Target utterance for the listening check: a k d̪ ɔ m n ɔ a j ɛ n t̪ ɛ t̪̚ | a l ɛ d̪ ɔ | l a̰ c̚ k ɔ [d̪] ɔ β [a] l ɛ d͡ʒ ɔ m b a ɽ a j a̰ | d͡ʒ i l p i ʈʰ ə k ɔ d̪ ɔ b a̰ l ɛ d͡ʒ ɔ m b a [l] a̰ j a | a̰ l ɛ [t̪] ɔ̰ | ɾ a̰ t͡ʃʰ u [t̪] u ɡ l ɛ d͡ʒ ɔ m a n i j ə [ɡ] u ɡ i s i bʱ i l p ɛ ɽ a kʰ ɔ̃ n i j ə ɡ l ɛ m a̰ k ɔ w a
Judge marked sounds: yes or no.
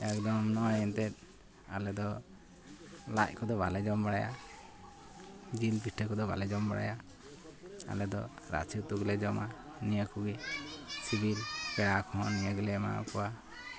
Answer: yes, yes, no, no, yes, no

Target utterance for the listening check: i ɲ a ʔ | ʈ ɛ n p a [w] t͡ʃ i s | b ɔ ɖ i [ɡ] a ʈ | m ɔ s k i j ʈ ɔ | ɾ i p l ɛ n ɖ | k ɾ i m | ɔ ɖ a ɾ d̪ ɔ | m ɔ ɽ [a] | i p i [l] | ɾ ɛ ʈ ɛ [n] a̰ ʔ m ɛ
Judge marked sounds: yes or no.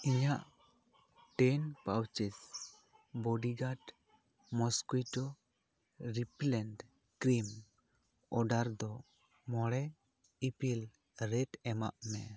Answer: yes, yes, no, yes, no

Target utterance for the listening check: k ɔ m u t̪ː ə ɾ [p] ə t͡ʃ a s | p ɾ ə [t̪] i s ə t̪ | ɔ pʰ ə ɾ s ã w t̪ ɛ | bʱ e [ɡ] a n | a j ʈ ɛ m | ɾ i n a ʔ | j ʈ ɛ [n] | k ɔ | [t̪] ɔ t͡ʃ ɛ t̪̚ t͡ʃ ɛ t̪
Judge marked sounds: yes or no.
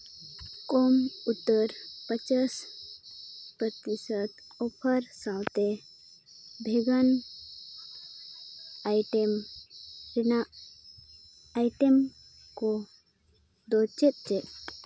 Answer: yes, yes, yes, no, no

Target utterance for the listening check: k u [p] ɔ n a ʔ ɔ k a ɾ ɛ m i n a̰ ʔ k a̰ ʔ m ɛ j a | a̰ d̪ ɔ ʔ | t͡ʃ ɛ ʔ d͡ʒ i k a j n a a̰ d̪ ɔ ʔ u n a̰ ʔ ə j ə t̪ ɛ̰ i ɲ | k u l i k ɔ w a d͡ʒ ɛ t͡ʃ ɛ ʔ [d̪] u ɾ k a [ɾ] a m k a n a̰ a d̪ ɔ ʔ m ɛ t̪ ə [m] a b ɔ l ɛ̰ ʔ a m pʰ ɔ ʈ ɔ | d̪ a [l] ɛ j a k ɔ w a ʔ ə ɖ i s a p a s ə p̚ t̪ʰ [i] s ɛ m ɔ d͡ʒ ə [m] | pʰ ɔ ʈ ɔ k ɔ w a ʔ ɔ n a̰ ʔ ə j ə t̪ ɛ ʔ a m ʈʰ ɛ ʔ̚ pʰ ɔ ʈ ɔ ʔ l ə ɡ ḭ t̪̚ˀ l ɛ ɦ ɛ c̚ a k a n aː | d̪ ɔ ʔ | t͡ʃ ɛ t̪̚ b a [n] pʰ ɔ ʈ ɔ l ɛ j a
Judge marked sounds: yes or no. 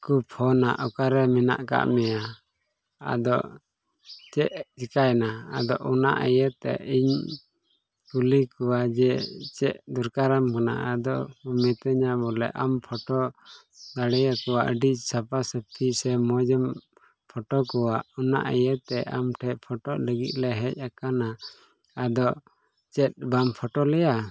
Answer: no, yes, yes, no, no, yes, yes, no

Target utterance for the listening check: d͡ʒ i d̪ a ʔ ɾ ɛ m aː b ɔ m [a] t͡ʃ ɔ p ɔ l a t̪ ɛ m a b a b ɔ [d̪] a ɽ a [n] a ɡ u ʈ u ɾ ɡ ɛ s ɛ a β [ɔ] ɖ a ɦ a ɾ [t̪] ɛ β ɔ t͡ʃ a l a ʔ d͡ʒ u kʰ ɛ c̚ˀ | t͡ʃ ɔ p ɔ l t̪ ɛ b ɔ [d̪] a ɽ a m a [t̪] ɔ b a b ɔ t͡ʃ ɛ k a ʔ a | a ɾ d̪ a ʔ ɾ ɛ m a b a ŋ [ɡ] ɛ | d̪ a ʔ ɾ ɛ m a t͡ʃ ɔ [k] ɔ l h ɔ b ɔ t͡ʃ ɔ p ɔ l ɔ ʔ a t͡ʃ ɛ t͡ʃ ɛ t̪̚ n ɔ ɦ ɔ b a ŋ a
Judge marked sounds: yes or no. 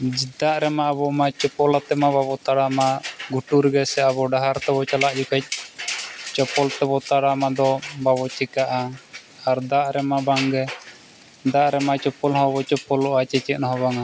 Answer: yes, no, no, yes, yes, no, no, yes, no

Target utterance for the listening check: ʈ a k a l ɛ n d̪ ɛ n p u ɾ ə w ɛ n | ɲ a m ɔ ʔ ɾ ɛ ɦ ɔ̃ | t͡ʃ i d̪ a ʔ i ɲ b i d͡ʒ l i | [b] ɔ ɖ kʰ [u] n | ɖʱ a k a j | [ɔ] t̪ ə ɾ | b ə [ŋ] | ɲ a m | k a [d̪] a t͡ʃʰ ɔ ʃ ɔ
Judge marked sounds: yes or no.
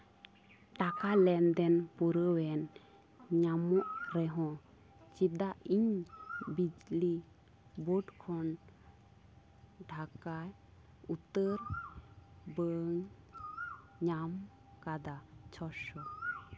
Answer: yes, no, no, yes, yes

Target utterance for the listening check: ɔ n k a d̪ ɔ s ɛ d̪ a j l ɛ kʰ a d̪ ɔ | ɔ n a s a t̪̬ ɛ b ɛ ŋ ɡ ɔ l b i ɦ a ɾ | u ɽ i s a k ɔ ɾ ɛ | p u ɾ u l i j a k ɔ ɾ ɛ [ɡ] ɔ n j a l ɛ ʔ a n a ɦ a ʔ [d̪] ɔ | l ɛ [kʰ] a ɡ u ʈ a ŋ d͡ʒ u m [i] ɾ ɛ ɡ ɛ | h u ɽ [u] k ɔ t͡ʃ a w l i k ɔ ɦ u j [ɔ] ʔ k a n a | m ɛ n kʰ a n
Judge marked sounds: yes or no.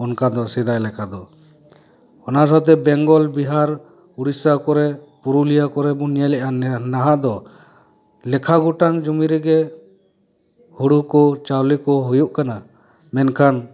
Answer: no, yes, yes, yes, yes, no

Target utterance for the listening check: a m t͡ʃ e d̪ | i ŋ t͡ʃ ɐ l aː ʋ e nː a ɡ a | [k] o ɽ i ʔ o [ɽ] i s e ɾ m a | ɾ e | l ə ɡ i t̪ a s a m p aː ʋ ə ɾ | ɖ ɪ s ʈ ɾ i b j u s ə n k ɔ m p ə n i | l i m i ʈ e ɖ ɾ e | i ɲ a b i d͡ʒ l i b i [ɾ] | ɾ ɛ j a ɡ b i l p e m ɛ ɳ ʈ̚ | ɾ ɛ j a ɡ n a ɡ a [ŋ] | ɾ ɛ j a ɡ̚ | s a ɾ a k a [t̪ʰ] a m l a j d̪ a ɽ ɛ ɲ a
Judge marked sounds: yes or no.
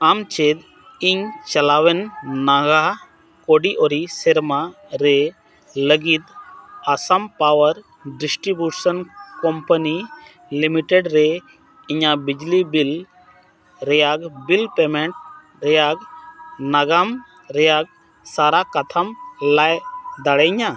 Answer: yes, no, no, no, yes

